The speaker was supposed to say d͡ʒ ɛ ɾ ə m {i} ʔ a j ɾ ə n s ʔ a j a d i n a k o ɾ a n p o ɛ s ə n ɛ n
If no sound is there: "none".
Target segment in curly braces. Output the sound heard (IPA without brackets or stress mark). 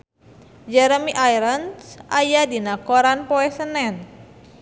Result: i